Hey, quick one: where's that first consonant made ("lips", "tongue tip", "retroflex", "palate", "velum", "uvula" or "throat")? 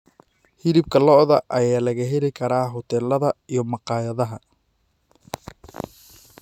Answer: throat